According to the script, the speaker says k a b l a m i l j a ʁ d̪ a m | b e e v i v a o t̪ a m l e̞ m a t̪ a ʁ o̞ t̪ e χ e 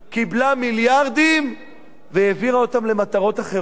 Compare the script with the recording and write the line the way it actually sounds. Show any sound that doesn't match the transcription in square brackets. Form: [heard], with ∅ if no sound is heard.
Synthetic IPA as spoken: k [i] b l a m i l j a ʁ d̪ [i] m | [v] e e v i [ʁ] a o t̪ a m l e̞ m a t̪ a ʁ o̞ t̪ [a] χ e